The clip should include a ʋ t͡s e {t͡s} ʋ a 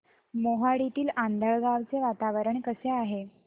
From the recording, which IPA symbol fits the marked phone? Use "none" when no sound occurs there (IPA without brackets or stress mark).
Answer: none